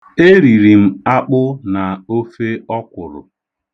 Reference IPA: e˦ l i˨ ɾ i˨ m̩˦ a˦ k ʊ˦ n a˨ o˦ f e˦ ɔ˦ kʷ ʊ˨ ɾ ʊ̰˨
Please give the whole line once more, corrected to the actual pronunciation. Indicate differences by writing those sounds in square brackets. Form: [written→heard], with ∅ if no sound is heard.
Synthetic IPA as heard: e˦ [l→ɾ] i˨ ɾ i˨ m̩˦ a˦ [k→k͡p] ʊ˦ n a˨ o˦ f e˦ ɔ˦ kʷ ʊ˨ ɾ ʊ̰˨